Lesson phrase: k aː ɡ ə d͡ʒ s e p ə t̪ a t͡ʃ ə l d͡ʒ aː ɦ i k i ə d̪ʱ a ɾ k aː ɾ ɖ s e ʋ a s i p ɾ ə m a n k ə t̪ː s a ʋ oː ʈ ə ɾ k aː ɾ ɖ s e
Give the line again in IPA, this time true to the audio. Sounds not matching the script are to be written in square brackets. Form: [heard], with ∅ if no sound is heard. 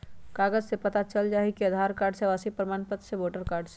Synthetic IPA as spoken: k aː ɡ ə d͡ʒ s e p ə t̪ a t͡ʃ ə l d͡ʒ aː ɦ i k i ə d̪ʱ a ɾ k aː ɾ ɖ s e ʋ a s i p ɾ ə m a n [p] ə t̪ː s [e] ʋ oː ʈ ə ɾ k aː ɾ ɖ s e

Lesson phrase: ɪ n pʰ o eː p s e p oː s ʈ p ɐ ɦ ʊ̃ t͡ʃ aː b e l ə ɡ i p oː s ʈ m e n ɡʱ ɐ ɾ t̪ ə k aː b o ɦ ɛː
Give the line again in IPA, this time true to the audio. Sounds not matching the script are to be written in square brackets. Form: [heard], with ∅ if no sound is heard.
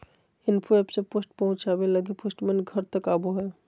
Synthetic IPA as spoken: ɪ n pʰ o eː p s e p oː s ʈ p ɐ ɦ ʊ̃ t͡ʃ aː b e l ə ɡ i p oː s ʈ m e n ɡʱ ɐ ɾ t̪ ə k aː b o ɦ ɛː

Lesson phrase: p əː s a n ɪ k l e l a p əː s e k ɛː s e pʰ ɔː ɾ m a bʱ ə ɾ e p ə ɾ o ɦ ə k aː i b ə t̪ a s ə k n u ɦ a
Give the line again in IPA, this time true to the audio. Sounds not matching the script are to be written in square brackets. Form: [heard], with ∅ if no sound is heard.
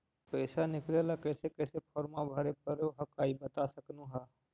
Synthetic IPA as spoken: p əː s a n ɪ k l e l a [k] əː s e k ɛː s e pʰ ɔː ɾ m a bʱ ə ɾ e p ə ɾ o ɦ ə k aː i b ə t̪ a s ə k n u ɦ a

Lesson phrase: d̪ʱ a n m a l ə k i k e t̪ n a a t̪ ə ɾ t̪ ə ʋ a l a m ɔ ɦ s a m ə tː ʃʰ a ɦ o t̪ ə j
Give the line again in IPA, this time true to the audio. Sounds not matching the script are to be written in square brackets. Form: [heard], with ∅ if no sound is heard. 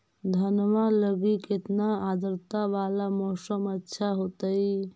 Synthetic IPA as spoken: d̪ʱ [ə] n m a l ə [ɡ] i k e t̪ n a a [d̪] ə ɾ t̪ [a] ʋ a l a m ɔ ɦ s [ə] m ə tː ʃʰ a ɦ o t̪ ə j

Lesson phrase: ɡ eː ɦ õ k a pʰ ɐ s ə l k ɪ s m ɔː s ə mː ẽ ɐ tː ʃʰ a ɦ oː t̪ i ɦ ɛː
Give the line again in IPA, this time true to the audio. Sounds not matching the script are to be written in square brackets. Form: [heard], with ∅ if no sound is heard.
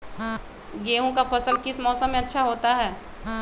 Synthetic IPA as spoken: ɡ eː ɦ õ k a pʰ ɐ s ə l k ɪ s m ɔː s ə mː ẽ ɐ tː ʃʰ a ɦ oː t̪ [a] ɦ ɛː

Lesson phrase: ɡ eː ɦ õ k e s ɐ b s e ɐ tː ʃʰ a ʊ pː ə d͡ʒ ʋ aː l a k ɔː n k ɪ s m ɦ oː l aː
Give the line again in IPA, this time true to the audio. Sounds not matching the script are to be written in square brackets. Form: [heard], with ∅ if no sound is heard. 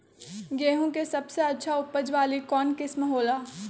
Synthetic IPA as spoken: ɡ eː ɦ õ k e s ɐ b s e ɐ tː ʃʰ a ʊ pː ə d͡ʒ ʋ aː l [i] k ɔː n k ɪ s m ɦ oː l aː

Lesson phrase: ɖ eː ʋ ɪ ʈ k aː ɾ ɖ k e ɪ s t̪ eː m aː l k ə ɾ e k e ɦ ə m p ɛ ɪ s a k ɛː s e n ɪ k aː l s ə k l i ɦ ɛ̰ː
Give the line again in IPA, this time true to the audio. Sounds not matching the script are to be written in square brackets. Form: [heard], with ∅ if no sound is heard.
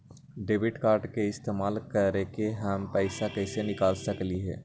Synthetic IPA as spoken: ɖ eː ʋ ɪ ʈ k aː ɾ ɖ k e ɪ s t̪ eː m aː l k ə ɾ e k e ɦ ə m p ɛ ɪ s a k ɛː s e n ɪ k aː l s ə k l i ɦ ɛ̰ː

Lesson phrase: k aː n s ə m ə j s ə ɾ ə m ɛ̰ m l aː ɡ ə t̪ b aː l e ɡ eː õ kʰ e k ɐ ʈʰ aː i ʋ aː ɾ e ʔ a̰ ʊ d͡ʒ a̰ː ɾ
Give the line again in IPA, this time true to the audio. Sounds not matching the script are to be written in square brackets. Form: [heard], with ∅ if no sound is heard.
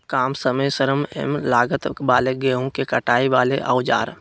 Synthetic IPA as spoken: k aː [m] s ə m ə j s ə ɾ ə m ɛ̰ m l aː ɡ ə t̪ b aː l e ɡ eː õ [k] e k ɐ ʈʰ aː i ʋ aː [l] e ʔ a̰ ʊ d͡ʒ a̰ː ɾ

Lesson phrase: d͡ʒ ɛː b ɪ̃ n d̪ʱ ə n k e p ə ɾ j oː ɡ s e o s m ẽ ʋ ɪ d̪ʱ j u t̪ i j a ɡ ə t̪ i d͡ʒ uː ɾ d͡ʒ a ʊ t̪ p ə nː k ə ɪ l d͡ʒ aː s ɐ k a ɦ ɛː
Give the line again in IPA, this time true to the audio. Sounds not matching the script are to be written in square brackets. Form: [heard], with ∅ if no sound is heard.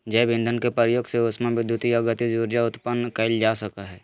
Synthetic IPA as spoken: d͡ʒ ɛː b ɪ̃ n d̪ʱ ə n k e p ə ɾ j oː ɡ s e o s m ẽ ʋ ɪ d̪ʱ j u t̪ i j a ɡ ə t̪ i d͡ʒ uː ɾ d͡ʒ a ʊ t̪ p ə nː k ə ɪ l d͡ʒ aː s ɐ k a ɦ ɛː

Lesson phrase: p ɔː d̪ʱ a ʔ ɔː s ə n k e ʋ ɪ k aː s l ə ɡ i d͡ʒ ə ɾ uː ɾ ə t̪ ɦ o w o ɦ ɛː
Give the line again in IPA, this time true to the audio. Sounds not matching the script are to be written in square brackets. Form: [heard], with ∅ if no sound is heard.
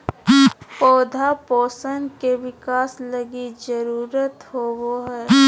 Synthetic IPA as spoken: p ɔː d̪ʱ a [p] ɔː s ə n k e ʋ ɪ k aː s l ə ɡ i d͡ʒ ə ɾ uː ɾ ə t̪ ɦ o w o ɦ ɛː

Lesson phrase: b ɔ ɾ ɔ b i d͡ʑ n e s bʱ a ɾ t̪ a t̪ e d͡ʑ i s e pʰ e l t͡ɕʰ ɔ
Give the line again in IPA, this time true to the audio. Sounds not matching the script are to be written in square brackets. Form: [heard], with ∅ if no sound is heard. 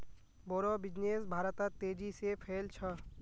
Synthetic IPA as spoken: b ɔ ɾ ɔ b i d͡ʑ n e s bʱ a ɾ t̪ a t̪ e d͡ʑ i s e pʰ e l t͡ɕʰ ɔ

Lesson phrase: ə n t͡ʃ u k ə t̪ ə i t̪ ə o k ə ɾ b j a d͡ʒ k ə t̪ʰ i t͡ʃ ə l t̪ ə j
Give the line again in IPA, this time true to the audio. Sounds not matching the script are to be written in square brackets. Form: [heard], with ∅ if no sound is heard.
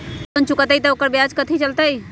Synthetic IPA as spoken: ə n t͡ʃ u k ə t̪ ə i t̪ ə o k ə ɾ b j a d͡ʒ k ə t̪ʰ i t͡ʃ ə l t̪ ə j

